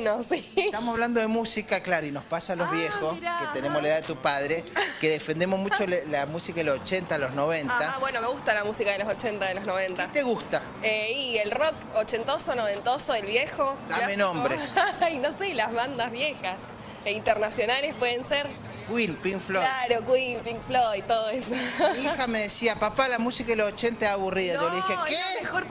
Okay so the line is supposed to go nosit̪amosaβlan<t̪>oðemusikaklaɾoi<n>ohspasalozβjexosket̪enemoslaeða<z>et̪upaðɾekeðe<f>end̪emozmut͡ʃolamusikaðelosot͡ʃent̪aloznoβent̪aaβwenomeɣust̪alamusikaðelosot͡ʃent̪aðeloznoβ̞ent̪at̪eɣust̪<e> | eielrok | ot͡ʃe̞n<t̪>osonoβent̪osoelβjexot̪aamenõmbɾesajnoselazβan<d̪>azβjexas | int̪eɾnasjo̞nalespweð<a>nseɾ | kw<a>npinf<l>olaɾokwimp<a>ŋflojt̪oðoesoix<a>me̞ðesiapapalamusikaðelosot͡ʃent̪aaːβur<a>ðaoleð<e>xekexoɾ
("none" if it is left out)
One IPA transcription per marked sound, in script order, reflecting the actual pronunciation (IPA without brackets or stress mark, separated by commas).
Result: d̪, n, ð, f, a, t̪, d̪, e, i, l, i, a, i, i